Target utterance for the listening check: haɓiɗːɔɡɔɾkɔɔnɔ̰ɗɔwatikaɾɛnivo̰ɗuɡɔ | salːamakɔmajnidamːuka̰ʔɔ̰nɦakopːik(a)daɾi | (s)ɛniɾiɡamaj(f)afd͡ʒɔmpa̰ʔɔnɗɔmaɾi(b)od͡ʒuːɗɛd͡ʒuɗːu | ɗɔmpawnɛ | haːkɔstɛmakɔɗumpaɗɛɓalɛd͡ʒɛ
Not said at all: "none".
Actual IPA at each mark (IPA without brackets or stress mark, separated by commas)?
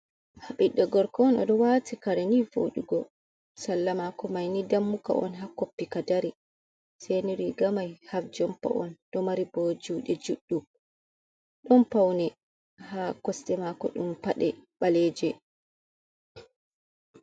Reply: a, s, h, b